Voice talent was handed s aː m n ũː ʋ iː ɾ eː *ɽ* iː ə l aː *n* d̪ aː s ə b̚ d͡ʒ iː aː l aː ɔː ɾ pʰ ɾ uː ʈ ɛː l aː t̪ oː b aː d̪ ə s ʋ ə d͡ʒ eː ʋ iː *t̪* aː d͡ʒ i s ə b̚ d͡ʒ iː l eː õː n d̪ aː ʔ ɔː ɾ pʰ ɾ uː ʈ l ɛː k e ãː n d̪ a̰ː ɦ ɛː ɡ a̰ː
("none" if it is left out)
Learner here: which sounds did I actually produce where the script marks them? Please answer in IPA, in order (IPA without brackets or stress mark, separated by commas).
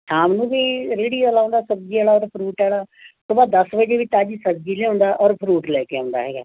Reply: ɽ, n, t̪